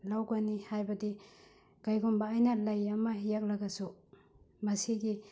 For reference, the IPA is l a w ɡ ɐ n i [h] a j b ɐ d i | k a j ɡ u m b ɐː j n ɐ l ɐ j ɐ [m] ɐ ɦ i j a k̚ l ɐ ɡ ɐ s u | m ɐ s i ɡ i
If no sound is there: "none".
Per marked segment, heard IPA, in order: h, m

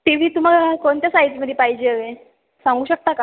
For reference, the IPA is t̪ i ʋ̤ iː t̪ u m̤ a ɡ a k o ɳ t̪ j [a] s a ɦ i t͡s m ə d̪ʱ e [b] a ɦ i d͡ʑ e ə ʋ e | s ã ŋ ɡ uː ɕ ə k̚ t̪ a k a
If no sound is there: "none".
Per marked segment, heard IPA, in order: a, p

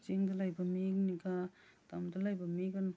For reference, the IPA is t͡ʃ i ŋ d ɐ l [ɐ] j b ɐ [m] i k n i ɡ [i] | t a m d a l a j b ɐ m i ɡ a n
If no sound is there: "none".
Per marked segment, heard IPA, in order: a, m, a

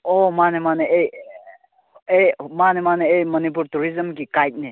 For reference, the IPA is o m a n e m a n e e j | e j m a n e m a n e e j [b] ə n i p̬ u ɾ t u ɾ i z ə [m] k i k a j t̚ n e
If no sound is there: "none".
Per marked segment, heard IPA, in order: m, m

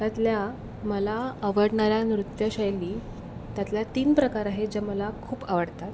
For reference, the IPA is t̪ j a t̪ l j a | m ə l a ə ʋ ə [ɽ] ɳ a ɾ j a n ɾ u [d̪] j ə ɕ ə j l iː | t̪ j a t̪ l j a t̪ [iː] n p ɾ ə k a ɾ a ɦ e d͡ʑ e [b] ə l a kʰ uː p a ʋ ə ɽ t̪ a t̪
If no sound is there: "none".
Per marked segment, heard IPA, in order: ɽ, t̪, iː, m

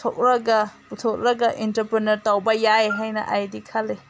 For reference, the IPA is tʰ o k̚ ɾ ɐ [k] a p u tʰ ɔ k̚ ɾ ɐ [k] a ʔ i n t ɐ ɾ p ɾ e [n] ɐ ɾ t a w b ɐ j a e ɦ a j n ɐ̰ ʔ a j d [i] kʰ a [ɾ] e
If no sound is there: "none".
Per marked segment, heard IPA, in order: ɡ, ɡ, n, i, l

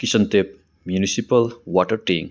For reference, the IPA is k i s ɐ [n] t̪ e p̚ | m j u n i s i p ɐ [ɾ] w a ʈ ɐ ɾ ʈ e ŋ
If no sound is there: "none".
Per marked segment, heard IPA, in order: n, l

